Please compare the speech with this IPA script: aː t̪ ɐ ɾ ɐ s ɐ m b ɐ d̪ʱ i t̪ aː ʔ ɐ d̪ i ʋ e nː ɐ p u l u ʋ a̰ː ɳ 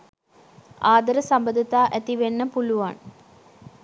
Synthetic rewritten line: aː d̪ ɐ ɾ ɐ s ɐ m b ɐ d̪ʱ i t̪ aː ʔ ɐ t̪ i ʋ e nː ɐ p u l u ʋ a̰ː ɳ

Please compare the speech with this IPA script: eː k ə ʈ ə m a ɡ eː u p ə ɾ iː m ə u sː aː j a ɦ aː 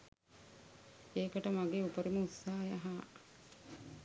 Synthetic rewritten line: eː k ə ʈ ə m a ɡ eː u p ə ɾ i m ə u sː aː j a ɦ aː

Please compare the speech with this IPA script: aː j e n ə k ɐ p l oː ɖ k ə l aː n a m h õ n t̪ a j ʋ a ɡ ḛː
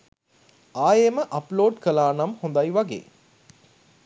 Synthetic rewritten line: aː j e m ə ʔ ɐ p l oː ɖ k ə l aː n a m h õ n d̪ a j ʋ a ɡ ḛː

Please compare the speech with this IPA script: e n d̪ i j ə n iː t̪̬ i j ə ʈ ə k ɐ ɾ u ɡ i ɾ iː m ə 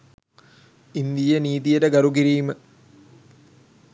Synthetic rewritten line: i n d̪ i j ə n iː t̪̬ i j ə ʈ ə ɡ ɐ ɾ u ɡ i ɾ iː m ə

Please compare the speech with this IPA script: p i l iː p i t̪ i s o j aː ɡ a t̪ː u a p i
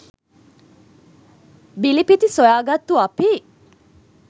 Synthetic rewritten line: b i l i p i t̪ i s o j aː ɡ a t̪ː u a p i

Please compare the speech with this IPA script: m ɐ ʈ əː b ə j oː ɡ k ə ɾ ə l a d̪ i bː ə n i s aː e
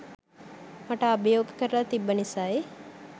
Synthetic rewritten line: m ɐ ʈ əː b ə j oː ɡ k ə ɾ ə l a t̪ i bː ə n i s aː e

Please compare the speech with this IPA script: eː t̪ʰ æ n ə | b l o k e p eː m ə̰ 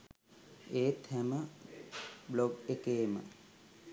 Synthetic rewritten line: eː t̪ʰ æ m ə | b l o ɡ e k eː m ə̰

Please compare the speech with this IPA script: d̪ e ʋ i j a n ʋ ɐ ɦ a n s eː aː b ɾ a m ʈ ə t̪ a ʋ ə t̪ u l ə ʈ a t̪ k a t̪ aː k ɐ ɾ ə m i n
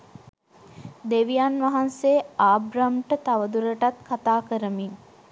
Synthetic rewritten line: d̪ e ʋ i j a n ʋ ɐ ɦ a n s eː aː b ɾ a m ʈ ə t̪ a ʋ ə d̪ u ɾ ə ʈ a t̪ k a t̪ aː k ə ɾ ə m i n

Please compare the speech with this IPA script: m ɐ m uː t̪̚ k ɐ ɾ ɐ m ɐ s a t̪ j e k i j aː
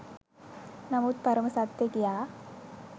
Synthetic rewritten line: n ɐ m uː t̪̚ p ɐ ɾ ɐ m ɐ s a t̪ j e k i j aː

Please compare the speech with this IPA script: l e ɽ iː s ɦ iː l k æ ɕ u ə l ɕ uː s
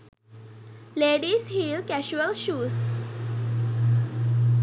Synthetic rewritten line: l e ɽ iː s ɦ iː l k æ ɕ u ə l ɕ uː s

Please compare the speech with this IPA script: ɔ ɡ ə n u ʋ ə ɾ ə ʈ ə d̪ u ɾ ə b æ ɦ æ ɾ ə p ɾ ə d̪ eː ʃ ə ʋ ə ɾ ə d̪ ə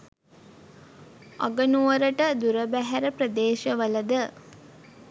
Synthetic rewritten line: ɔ ɡ ə n u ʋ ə ɾ ə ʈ ə d̪ u ɾ ə b æ ɦ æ ɾ ə p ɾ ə d̪ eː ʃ ə ʋ ə l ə d̪ ə

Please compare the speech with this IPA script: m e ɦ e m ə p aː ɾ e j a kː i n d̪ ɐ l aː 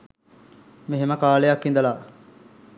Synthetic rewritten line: m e ɦ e m ə k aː l e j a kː i n d̪ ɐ l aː

